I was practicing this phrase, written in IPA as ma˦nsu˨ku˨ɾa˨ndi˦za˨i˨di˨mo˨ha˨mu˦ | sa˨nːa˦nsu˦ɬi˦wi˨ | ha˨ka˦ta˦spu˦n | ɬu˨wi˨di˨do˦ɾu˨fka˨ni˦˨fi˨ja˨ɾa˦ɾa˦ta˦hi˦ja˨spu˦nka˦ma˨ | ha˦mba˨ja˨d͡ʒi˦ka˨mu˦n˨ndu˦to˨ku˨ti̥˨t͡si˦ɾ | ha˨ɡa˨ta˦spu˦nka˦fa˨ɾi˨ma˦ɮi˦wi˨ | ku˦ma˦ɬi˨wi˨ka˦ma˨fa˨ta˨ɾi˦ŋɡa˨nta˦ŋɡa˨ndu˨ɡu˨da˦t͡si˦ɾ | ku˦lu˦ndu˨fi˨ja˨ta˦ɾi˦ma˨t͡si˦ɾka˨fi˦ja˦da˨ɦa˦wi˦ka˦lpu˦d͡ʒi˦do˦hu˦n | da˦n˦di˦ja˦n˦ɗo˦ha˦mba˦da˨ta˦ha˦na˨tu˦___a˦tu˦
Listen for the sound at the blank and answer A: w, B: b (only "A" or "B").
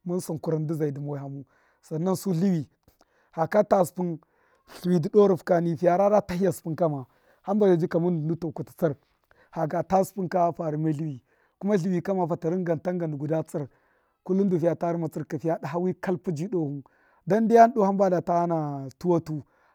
A